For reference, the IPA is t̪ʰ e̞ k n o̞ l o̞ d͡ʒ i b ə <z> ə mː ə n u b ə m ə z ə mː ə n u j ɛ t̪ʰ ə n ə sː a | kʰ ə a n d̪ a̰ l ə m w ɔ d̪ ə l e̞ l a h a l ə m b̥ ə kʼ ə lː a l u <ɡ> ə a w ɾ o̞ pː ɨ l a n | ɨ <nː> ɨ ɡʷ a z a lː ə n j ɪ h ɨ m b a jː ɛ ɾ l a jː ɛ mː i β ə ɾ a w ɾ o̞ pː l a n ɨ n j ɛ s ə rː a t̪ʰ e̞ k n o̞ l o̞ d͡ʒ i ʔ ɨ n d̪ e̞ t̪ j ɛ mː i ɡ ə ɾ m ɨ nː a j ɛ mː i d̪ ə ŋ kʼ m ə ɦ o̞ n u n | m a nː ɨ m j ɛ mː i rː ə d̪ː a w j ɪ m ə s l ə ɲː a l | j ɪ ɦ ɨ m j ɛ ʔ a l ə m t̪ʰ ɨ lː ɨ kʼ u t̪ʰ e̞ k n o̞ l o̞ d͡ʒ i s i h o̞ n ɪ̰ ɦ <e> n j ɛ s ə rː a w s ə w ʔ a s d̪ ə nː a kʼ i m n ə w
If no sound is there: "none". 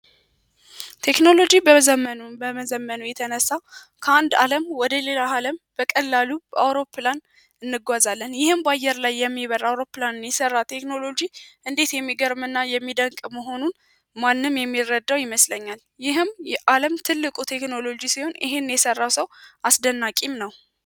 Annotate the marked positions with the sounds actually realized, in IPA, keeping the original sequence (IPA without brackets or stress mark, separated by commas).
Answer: z, b, nː, e